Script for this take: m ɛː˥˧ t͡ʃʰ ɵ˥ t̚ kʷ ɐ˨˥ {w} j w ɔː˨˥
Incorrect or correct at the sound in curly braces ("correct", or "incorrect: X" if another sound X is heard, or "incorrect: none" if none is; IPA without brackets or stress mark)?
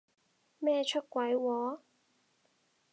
incorrect: none